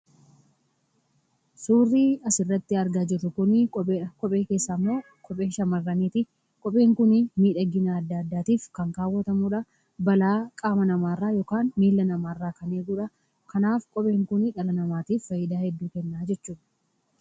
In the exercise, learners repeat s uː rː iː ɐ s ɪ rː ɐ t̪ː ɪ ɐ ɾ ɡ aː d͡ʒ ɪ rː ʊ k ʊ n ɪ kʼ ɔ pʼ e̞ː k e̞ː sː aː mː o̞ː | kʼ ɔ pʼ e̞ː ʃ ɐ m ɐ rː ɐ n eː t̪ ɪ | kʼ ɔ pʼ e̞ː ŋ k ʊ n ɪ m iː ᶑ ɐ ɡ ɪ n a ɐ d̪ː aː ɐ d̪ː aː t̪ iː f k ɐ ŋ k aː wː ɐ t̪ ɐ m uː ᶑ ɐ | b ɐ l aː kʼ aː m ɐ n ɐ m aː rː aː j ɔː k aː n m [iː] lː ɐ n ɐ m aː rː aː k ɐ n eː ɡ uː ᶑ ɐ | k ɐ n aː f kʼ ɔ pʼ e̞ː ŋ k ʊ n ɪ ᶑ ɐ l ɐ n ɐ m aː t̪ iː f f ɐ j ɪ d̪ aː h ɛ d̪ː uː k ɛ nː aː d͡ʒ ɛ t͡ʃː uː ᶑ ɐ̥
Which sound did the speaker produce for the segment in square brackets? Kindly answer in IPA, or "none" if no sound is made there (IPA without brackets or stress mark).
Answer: iː